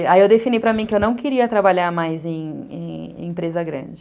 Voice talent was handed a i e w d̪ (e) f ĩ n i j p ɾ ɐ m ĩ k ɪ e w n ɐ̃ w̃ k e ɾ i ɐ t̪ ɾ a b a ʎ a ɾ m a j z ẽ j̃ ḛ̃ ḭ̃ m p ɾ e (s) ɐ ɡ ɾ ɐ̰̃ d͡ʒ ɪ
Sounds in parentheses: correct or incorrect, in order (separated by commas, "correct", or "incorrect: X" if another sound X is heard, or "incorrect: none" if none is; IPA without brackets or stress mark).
correct, incorrect: z